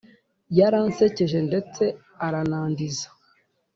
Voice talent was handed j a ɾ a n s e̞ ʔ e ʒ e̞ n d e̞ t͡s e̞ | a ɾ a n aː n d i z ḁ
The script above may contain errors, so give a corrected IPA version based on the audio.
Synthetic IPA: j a ɾ a n s e̞ c e ʒ e̞ n d e̞ t͡s e̞ | a ɾ a n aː n d i z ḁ